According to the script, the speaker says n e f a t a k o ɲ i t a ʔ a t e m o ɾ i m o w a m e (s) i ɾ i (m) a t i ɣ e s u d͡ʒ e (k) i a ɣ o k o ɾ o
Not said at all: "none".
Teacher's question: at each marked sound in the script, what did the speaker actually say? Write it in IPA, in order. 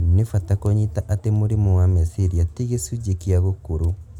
s, none, k

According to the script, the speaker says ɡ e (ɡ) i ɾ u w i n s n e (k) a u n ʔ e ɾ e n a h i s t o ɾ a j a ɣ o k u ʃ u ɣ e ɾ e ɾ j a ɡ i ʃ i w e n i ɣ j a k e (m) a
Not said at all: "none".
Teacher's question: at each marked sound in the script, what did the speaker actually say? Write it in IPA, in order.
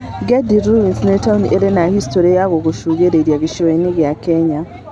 d, t, ɲ

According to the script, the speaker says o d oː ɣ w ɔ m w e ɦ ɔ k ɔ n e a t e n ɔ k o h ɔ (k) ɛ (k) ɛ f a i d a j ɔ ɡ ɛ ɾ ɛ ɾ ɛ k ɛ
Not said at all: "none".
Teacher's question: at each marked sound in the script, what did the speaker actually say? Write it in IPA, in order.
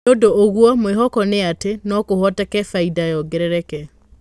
t, k

